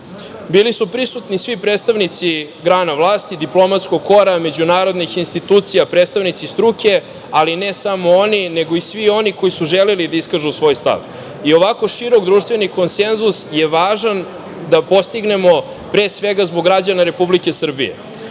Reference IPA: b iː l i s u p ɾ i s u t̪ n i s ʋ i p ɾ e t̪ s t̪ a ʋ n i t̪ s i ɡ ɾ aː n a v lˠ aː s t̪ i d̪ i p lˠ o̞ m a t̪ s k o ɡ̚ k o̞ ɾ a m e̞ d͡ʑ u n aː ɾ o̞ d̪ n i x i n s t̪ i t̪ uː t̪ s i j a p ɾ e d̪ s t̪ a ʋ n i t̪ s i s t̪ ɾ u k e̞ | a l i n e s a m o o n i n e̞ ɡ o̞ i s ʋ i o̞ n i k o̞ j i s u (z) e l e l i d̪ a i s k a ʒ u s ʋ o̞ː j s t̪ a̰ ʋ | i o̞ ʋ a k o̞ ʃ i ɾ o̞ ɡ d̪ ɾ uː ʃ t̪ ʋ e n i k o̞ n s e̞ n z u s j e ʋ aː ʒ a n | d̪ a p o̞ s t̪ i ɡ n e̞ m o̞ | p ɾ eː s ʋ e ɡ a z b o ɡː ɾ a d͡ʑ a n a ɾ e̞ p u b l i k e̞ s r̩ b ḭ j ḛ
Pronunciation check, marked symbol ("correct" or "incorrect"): incorrect